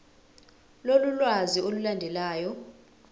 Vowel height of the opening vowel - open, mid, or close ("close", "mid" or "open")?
mid